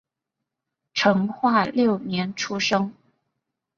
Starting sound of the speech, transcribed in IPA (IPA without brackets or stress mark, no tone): ʈ͡ʂʰ